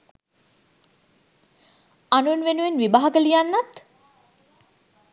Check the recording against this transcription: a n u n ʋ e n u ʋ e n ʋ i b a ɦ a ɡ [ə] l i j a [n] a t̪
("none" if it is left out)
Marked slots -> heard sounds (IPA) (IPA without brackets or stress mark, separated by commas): ə, nː